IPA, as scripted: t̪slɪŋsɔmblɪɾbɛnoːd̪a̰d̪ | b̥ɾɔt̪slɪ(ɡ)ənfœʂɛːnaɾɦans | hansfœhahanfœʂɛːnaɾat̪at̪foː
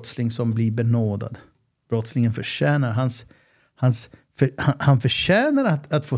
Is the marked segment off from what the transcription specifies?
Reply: yes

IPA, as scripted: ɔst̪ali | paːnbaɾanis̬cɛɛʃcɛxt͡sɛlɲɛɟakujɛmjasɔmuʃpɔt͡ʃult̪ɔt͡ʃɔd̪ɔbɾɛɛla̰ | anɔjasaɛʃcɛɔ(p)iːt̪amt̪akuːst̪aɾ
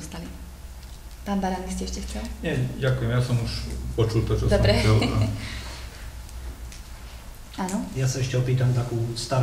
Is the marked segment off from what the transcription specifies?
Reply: no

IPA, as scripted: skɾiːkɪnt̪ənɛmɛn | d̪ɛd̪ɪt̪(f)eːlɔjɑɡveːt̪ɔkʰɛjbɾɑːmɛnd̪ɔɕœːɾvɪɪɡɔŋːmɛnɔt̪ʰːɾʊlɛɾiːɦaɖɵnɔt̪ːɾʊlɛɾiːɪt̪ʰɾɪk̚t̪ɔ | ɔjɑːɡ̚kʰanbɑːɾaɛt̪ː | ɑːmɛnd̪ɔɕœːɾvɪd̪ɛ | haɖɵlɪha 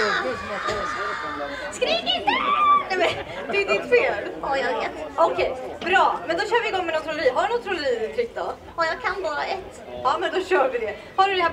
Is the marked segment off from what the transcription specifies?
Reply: no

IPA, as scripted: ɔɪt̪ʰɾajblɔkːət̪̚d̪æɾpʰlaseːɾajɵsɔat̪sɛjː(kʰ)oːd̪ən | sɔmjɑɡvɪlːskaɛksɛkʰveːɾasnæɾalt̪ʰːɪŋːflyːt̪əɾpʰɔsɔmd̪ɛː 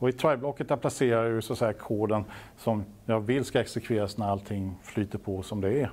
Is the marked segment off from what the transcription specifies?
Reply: no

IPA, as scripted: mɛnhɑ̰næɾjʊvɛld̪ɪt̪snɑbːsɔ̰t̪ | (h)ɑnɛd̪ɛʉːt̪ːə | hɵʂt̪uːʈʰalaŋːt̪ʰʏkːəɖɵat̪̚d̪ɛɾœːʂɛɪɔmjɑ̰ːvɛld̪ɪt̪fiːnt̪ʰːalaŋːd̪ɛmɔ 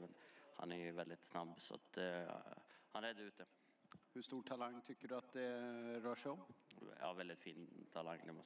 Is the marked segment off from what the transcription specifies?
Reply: no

